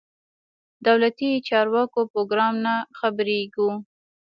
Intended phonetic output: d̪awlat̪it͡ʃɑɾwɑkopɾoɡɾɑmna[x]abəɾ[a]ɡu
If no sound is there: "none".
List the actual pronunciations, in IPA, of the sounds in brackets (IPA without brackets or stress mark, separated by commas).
x, e